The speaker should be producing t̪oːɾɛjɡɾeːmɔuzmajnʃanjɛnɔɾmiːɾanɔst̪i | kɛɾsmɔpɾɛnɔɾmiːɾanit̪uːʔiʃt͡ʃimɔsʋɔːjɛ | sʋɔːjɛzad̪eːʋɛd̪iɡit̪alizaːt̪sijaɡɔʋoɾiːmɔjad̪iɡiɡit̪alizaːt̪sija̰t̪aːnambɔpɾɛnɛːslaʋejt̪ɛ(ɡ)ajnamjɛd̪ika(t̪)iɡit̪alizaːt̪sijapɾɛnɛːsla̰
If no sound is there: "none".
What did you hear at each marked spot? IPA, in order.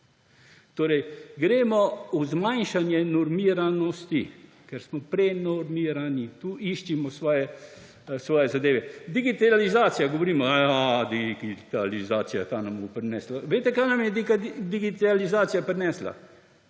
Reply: k, d̪

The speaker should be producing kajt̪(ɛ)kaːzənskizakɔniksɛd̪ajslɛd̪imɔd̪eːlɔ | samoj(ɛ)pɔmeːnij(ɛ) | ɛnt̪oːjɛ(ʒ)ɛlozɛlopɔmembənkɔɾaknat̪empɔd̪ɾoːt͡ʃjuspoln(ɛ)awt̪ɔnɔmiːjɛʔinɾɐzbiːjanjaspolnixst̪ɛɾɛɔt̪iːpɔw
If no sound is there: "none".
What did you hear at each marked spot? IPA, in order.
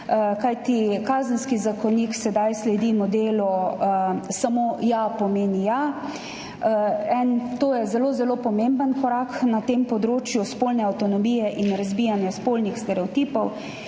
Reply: i, a, a, z, ɛ

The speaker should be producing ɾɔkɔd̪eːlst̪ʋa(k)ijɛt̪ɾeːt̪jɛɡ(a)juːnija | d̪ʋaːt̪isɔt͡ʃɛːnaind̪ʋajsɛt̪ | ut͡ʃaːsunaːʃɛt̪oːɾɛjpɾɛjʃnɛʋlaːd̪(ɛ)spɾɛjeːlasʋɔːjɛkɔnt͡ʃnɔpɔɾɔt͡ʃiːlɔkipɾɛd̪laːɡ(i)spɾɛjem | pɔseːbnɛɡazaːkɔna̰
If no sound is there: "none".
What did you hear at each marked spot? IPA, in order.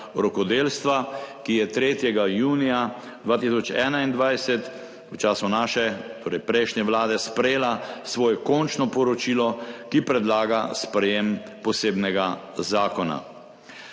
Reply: k, a, ɛ, a

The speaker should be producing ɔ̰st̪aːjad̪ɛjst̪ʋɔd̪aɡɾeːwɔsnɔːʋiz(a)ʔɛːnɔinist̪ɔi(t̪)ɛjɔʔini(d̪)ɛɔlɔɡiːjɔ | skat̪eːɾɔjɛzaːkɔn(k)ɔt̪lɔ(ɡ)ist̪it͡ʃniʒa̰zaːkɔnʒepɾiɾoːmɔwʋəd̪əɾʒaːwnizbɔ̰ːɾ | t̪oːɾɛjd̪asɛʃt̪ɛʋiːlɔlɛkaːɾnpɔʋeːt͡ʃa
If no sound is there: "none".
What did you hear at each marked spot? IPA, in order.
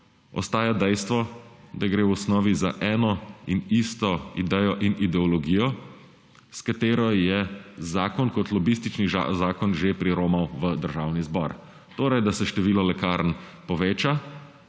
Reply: a, d̪, d̪, k, b

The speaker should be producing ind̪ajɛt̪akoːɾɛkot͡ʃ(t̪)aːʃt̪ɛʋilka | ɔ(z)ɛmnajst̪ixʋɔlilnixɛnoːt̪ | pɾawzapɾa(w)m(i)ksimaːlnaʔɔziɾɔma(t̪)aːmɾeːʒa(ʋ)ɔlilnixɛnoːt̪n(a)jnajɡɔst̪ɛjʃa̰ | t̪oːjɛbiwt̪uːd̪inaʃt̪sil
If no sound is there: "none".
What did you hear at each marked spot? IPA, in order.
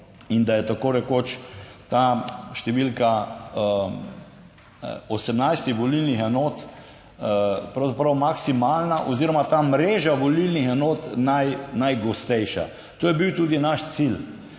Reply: t̪, s, w, a, t̪, ʋ, a

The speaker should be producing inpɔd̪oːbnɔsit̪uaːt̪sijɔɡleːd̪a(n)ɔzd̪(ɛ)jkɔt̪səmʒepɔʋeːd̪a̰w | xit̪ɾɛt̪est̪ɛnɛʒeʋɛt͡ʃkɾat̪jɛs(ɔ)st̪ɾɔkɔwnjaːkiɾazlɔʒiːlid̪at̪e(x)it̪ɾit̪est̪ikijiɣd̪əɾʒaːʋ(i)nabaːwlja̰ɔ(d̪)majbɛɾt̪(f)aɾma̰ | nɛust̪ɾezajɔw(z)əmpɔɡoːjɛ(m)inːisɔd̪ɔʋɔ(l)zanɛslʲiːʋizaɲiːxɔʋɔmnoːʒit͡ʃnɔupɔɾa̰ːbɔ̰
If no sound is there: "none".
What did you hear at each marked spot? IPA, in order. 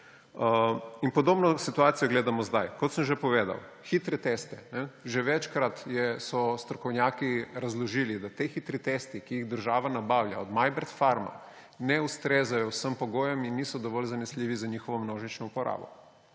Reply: m, a, ɔ, x, a, d̪, f, s, m, l

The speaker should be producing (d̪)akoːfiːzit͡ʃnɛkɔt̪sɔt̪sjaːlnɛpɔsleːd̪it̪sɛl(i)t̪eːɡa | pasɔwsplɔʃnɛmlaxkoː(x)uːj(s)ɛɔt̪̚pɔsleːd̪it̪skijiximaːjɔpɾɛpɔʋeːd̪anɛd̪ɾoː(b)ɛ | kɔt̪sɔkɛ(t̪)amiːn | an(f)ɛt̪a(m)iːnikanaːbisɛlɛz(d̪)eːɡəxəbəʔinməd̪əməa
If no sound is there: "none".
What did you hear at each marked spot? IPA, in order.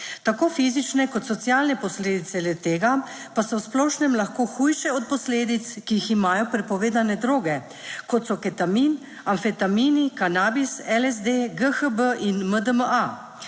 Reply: t̪, ɛ, x, ʃ, ɡ, t̪, f, m, d̪

